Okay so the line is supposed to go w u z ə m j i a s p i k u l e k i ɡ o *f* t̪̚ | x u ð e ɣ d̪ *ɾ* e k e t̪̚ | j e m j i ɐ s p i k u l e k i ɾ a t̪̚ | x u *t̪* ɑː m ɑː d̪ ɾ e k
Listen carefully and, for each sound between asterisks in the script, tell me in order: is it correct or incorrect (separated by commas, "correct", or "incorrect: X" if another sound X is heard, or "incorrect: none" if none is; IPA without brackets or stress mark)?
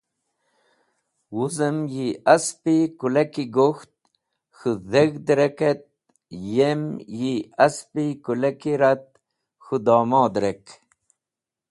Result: incorrect: x, correct, incorrect: d̪